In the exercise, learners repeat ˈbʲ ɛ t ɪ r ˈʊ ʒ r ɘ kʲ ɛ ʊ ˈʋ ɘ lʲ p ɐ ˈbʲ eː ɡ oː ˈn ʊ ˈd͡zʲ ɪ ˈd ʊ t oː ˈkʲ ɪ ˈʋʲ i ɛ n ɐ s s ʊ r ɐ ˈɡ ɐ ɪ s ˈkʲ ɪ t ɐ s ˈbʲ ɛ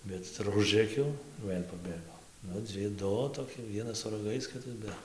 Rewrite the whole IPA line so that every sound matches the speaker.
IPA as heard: ˈbʲ ɛ t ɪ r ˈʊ ʒ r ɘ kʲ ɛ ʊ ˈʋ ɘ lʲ p ɐ ˈbʲ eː ɡ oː ˈn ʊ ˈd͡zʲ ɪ ˈd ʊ t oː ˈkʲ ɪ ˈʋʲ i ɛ n ɐ s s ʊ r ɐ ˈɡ ɐ ɪ s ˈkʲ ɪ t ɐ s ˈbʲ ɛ